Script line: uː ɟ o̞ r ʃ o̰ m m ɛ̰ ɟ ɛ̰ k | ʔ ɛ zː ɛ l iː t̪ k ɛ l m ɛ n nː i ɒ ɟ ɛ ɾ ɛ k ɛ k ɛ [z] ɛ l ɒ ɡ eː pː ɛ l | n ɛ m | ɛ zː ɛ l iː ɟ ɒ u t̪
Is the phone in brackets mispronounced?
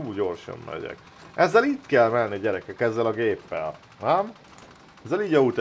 yes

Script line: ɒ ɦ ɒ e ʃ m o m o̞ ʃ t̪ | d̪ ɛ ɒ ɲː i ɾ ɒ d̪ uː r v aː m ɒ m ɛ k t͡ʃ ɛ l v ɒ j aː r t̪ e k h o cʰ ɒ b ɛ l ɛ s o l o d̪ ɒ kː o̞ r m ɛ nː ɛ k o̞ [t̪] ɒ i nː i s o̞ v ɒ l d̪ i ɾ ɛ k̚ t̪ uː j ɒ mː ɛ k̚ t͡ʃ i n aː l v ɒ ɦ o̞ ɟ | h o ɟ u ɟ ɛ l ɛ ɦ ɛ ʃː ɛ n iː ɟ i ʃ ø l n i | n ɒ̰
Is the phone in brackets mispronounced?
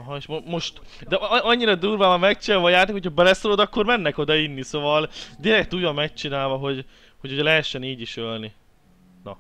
yes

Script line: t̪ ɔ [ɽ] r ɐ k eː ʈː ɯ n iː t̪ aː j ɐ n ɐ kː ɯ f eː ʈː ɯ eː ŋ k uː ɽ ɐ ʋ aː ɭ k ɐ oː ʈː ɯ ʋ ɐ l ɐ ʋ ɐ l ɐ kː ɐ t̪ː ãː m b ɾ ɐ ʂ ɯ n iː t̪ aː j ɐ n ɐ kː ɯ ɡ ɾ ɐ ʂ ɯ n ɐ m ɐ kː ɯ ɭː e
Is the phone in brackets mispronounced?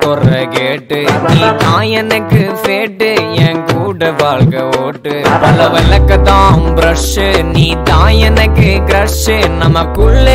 yes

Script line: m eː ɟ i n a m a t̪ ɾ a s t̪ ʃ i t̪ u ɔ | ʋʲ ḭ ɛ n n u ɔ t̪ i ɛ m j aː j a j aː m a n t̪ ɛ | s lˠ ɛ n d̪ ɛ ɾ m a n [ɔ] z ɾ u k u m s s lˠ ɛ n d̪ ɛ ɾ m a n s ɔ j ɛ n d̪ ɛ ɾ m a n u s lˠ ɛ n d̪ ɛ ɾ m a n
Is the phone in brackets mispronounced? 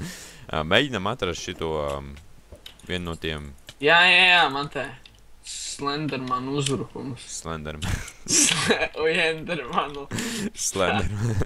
yes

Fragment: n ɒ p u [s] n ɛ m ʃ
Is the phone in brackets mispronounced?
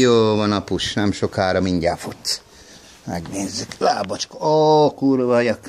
yes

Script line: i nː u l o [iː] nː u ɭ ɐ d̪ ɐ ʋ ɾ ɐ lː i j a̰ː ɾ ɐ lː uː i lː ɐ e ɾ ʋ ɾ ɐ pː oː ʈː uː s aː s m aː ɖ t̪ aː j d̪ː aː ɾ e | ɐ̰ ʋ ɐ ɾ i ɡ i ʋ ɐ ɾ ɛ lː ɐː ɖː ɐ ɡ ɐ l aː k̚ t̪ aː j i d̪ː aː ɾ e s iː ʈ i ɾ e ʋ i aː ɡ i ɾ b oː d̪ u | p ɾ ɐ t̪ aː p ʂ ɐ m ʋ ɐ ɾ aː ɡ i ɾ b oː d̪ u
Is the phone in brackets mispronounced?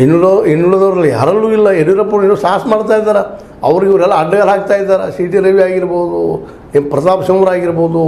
yes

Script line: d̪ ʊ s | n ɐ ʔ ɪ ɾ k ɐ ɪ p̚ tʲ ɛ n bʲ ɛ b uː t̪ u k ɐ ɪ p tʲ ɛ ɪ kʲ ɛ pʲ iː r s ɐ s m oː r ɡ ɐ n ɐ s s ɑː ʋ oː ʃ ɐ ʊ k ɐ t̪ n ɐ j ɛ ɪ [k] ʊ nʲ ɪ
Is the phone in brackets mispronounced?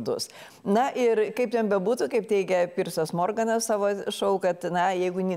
yes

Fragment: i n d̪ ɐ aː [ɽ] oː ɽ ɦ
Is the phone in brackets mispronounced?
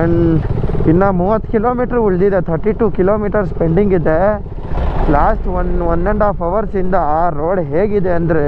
yes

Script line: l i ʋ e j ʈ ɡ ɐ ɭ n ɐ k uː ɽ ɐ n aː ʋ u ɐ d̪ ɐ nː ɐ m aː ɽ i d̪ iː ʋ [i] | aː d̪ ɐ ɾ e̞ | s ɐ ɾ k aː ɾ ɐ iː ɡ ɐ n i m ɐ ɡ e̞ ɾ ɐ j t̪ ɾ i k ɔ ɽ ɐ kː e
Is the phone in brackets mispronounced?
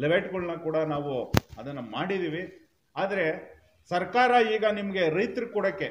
no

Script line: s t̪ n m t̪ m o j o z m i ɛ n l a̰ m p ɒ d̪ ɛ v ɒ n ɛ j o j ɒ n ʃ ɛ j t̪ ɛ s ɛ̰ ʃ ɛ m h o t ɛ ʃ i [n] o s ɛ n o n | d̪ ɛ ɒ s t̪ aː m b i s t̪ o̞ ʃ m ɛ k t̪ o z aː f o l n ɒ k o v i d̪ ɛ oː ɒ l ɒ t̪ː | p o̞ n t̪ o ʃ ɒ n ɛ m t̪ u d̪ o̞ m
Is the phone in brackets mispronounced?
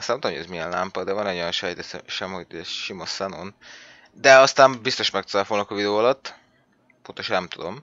yes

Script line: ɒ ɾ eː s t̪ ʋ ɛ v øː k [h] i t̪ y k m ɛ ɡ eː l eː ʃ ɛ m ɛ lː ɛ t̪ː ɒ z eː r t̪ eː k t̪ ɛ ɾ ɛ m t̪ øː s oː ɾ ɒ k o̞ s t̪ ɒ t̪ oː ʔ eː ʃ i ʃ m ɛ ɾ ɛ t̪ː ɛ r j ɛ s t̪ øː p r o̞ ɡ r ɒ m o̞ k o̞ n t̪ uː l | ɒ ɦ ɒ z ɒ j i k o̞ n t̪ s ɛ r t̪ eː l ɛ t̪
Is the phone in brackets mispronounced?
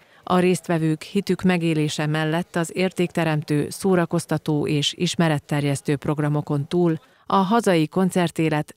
no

